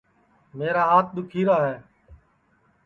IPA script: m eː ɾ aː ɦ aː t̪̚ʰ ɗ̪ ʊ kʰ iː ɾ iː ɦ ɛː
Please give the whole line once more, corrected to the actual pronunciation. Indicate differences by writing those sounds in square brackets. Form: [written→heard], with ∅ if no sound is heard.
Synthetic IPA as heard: m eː ɾ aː ɦ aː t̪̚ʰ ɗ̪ ʊ kʰ iː ɾ [iː→aː] ɦ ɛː